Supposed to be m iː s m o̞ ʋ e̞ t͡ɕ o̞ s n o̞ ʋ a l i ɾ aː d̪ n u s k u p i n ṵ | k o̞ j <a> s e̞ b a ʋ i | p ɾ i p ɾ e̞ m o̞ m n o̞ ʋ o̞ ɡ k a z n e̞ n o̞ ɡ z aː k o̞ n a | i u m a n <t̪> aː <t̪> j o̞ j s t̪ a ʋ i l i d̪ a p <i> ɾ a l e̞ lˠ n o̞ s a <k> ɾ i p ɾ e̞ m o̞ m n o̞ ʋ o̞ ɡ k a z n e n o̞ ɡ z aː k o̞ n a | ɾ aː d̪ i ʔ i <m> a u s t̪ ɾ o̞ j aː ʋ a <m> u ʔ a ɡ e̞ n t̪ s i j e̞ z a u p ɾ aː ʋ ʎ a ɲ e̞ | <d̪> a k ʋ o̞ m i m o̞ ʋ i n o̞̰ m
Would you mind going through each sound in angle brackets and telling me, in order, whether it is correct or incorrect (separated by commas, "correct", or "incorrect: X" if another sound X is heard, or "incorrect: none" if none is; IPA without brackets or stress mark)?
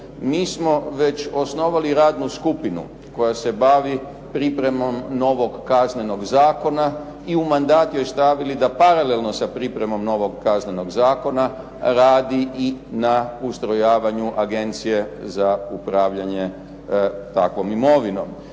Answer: correct, incorrect: d̪, correct, incorrect: a, incorrect: p, incorrect: n, incorrect: ɲ, incorrect: t̪